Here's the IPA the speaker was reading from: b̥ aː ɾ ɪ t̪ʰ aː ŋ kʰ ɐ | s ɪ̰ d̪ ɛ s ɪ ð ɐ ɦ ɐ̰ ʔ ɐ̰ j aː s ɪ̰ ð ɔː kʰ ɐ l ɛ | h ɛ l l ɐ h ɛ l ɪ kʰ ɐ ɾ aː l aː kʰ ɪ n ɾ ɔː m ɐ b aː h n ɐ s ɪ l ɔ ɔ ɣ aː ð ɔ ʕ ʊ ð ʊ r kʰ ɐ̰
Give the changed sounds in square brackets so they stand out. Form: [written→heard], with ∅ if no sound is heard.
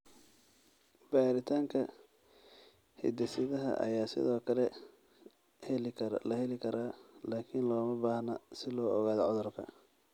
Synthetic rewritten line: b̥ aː ɾ ɪ t̪ʰ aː ŋ kʰ ɐ | [s→h] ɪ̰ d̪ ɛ s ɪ ð ɐ ɦ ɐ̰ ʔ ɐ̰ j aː s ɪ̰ ð ɔː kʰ ɐ l ɛ | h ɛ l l ɐ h ɛ l ɪ kʰ ɐ ɾ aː l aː kʰ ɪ n [ɾ→l] ɔː m ɐ b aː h n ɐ s ɪ l [ɔ→ɔː] ɔ ɣ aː ð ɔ ʕ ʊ ð ʊ r kʰ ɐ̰